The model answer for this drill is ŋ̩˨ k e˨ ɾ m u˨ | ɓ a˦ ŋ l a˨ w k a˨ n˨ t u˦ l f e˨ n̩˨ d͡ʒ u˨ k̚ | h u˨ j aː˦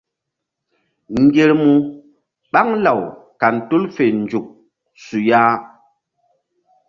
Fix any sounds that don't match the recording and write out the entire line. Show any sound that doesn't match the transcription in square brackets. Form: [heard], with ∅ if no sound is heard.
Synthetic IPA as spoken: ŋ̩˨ [ɡ] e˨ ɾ m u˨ | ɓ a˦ ŋ l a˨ w k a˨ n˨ t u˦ l f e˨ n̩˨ d͡ʒ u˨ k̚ | [s] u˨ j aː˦